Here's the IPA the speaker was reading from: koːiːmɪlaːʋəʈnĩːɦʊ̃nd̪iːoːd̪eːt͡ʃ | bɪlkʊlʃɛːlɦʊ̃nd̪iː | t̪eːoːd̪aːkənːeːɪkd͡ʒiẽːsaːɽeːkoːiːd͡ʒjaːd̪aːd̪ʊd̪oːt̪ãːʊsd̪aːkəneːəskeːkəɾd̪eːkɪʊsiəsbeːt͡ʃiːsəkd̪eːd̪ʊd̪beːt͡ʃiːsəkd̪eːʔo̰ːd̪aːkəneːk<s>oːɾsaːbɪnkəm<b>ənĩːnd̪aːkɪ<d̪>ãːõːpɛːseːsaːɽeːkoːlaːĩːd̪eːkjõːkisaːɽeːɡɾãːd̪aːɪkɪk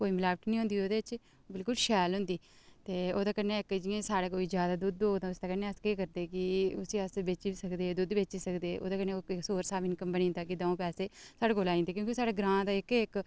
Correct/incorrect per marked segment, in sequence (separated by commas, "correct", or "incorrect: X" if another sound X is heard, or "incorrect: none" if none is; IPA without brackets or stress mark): correct, correct, correct